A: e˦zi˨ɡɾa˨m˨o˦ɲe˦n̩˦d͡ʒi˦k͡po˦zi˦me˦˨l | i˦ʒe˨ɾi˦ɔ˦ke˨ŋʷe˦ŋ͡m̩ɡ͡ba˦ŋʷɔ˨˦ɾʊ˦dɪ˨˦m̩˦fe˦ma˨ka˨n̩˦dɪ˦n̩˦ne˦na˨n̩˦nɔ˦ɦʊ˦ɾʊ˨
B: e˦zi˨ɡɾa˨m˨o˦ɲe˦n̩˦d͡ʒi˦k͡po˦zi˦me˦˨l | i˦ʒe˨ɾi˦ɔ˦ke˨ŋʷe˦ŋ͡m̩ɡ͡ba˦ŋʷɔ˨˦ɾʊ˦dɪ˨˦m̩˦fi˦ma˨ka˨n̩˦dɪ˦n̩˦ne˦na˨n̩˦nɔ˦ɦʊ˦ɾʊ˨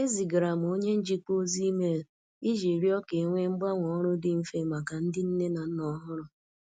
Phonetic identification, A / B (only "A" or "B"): A